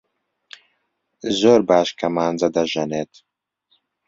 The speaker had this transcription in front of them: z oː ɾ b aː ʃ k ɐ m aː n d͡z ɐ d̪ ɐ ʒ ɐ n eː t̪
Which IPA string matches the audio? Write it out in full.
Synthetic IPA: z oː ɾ b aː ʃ k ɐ m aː n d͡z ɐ d̪ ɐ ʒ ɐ n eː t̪